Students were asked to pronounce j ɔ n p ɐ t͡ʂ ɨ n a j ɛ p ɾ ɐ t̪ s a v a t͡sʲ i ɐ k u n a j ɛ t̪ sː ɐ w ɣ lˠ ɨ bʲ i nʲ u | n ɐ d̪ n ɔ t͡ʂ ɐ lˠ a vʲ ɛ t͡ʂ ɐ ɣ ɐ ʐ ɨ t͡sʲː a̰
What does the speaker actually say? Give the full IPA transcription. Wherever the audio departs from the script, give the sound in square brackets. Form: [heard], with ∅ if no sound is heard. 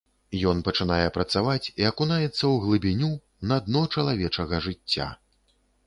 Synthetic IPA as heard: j ɔ n p ɐ t͡ʂ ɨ n a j ɛ p ɾ ɐ t̪ s a v a t͡sʲ i ɐ k u n a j ɛ t̪ sː ɐ w ɣ lˠ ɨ bʲ i nʲ u | n ɐ d̪ n ɔ t͡ʂ ɐ lˠ a vʲ ɛ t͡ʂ ɐ ɣ ɐ ʐ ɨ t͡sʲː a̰